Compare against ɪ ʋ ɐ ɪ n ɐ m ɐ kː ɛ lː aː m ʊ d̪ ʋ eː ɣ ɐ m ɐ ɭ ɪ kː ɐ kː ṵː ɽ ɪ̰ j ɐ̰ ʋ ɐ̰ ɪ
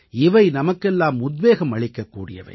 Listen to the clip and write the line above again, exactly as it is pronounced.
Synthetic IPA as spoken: ɪ ʋ ɐ ɪ n ɐ m ɐ kː ɛ lː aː m ʊ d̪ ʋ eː ɣ ɐ m ɐ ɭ ɪ kː ɐ kː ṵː ɽ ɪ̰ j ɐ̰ ʋ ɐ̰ ɪ